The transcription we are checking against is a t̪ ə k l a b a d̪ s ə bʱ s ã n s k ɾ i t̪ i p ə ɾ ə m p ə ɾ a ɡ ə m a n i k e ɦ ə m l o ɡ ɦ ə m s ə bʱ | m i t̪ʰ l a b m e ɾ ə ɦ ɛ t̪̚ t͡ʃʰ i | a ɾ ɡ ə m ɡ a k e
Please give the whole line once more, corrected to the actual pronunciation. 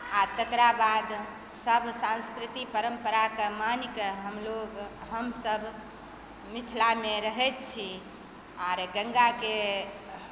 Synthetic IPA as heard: a t̪ ə k ɾ a b a d̪ s ə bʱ s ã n s k ɾ i t̪ i p ə ɾ ə m p ə ɾ a k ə m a n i k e ɦ ə m l o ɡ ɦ ə m s ə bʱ | m i t̪ʰ l a m e ɾ ə ɦ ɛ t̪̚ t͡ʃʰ i | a ɾ ɡ ə ŋ ɡ a k e